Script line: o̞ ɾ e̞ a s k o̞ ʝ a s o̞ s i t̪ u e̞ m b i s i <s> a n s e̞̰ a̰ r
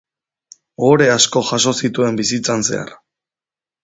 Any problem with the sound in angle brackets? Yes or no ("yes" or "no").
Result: yes